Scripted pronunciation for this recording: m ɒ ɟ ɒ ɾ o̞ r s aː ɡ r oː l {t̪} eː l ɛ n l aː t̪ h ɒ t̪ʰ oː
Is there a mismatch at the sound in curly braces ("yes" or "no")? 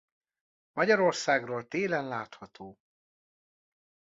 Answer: no